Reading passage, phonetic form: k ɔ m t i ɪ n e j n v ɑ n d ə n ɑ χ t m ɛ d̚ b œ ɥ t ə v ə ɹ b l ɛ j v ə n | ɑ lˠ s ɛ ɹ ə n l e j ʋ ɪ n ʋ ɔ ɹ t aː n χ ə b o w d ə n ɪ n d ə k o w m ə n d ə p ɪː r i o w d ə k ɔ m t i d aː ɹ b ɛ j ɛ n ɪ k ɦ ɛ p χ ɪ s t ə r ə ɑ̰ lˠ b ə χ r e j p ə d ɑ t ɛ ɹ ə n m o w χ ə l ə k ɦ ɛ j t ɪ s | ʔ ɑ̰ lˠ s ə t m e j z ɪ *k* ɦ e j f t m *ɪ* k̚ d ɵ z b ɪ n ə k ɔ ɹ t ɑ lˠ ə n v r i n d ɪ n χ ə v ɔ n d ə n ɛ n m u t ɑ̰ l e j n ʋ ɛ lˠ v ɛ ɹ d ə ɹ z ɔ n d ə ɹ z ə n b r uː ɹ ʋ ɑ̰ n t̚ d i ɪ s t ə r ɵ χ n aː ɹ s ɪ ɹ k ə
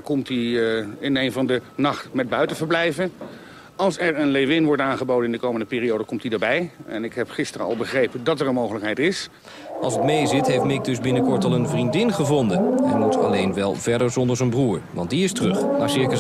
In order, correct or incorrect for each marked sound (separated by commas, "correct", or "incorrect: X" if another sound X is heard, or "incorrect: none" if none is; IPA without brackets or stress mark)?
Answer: incorrect: t, correct